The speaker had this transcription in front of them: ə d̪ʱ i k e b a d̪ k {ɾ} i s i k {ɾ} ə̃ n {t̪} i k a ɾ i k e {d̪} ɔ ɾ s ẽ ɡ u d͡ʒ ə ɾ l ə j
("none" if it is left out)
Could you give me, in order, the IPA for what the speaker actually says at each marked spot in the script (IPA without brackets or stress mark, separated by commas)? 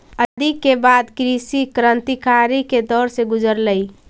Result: ɾ, ɾ, t̪, d̪